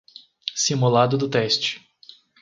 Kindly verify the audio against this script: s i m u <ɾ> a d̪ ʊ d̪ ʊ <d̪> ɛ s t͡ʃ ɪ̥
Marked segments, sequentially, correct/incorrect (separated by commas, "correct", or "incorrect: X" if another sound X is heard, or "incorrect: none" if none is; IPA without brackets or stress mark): incorrect: l, incorrect: t̪